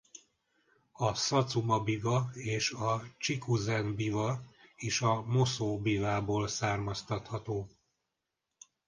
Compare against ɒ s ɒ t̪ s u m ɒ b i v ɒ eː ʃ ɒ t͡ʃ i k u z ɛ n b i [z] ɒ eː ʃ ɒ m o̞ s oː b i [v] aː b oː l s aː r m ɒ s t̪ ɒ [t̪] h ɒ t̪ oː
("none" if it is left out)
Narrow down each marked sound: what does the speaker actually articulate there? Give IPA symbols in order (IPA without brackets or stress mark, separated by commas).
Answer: v, v, t̪